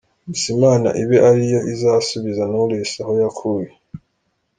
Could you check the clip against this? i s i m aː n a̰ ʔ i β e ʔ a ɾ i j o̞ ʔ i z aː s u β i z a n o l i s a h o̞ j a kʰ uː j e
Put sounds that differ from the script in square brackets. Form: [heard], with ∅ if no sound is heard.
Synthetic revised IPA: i s i m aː n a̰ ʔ i β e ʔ a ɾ i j o̞ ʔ i z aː s u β i z a n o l [e] s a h o̞ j a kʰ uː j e